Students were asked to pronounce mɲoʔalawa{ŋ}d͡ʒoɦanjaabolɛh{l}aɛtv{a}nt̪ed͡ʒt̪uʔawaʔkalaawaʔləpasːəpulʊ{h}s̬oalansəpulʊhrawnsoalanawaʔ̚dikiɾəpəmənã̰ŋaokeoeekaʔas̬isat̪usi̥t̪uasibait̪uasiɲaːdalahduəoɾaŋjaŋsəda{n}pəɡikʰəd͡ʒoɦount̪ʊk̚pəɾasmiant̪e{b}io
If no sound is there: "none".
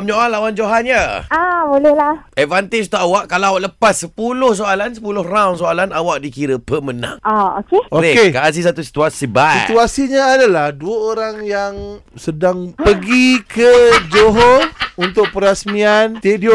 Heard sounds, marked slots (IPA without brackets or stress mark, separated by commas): n, l, a, h, ŋ, d